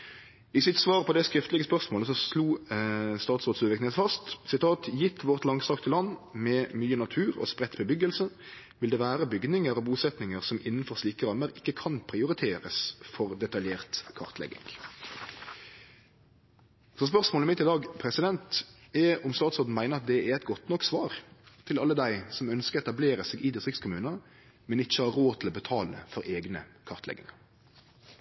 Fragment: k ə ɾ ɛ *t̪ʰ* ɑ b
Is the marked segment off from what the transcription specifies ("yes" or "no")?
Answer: yes